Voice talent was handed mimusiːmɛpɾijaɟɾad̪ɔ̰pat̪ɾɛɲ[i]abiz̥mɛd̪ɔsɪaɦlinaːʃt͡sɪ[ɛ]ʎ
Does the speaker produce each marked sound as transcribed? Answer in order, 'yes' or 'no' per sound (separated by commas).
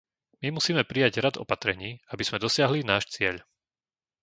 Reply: no, yes